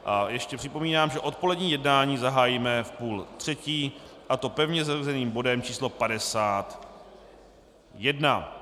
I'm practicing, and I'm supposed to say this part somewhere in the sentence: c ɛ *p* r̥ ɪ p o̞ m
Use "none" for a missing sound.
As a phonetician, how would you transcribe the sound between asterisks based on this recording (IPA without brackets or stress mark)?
p